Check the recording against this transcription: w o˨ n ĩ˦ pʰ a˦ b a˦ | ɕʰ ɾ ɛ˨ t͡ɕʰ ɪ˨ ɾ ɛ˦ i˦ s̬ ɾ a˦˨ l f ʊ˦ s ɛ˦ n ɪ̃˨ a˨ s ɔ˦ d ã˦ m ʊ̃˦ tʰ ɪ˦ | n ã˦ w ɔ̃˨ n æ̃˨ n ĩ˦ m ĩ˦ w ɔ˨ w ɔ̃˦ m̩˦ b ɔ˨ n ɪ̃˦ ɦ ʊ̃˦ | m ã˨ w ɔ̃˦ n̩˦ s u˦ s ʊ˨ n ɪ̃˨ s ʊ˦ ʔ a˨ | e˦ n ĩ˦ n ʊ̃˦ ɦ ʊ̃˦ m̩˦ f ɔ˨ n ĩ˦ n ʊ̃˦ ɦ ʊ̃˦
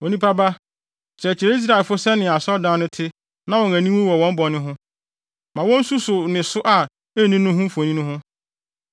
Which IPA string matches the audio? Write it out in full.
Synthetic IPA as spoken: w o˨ n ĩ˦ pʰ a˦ b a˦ | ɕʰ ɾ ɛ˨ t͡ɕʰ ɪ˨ ɾ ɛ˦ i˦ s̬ ɾ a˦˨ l f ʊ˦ s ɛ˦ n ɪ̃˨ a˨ s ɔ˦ d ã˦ n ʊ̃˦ tʰ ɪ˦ | n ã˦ w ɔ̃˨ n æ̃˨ n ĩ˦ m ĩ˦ w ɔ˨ w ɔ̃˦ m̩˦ b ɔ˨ n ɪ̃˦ ɦ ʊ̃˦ | m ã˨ w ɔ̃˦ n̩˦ s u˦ s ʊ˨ n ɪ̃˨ s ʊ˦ ʔ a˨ | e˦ n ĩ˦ n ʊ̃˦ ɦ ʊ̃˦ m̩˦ f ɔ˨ n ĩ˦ n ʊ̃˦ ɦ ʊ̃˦

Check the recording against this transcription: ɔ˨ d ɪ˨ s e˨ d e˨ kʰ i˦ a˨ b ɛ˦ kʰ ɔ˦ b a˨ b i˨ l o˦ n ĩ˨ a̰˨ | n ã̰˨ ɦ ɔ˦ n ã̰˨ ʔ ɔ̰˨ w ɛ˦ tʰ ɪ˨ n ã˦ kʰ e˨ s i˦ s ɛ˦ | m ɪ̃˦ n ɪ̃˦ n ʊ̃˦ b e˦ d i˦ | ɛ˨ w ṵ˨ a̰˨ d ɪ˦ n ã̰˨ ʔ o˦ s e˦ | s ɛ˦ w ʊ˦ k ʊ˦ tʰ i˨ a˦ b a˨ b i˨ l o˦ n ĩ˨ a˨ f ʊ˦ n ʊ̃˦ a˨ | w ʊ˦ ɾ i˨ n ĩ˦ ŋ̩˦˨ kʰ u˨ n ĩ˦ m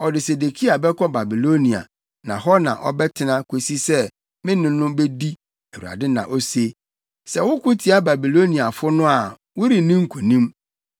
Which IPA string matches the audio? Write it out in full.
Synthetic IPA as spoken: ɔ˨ d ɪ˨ s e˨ d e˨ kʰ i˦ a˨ b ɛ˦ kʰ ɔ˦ b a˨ b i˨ l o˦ n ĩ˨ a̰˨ | n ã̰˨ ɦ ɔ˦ n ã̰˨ ʔ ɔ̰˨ b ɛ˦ tʰ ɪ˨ n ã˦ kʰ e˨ s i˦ s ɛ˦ | m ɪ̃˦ n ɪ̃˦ n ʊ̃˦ b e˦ d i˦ | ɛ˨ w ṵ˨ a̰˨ d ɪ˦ n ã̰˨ ʔ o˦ s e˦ | s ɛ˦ w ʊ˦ k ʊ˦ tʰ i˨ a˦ b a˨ b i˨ l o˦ n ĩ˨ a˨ f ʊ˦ n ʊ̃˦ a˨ | w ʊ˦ ɾ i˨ n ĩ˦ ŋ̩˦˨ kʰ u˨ n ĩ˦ m

